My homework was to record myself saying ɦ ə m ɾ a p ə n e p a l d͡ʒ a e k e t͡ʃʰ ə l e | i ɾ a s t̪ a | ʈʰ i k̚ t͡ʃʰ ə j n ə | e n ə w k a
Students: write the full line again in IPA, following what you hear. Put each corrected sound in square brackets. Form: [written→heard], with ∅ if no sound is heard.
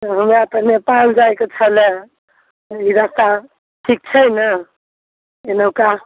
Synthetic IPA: ɦ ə m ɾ a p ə n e p a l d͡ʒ a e k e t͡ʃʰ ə l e | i ɾ a s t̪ a | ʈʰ i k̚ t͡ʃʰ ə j n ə | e n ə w k a